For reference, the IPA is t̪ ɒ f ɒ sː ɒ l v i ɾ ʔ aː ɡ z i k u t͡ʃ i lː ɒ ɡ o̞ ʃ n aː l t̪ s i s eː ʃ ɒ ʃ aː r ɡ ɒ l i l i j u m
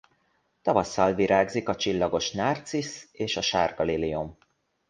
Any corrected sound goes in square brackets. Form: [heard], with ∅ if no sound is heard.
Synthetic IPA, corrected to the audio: t̪ ɒ [v] ɒ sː ɒ l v i ɾ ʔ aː ɡ z i k [ɒ] t͡ʃ i lː ɒ ɡ o̞ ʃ n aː [r] t̪ s i s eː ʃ ɒ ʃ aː r ɡ ɒ l i l i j u m